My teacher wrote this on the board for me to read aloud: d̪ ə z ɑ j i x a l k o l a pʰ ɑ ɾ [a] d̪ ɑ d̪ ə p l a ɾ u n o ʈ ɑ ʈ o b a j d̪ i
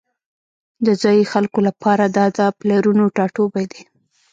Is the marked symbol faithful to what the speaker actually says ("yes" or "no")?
yes